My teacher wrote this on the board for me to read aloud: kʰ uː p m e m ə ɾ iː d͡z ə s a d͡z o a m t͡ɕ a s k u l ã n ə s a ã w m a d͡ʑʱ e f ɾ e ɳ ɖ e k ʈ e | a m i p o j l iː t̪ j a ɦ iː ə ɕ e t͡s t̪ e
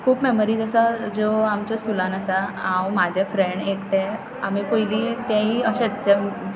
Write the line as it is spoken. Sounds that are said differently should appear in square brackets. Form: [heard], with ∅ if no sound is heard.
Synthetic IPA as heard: kʰ uː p m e m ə ɾ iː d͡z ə s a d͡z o a m t͡ɕ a s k u l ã n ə s a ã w m a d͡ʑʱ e f ɾ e ɳ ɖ e k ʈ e | a m i p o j l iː t̪ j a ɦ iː ə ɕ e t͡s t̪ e